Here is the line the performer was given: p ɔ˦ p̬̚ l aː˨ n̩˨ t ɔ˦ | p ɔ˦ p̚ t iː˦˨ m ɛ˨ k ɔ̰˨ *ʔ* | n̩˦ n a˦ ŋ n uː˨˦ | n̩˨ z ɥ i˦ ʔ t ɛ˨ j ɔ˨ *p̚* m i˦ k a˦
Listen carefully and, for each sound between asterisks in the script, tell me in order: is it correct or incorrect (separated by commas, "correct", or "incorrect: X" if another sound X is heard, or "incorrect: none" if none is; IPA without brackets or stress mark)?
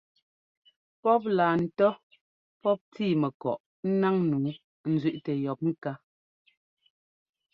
correct, correct